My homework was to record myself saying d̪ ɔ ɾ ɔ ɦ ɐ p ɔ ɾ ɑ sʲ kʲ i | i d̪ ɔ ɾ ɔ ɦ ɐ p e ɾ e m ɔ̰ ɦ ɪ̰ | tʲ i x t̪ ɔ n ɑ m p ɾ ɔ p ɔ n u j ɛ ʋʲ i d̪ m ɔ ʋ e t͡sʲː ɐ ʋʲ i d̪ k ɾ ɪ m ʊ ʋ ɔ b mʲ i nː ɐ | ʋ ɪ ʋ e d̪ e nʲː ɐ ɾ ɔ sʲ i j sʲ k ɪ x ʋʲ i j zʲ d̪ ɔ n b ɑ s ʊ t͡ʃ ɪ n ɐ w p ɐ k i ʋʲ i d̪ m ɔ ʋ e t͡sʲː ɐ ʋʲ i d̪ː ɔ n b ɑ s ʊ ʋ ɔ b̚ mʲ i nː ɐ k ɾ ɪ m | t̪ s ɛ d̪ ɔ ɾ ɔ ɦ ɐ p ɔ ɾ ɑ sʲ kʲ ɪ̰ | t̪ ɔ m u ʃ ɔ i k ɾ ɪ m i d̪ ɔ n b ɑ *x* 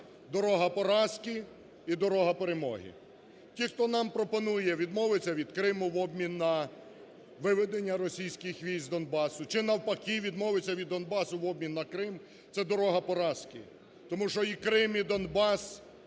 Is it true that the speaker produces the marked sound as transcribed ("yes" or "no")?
no